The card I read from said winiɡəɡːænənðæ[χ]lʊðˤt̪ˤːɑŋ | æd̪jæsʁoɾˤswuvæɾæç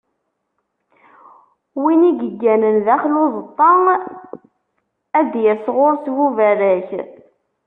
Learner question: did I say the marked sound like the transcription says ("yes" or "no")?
yes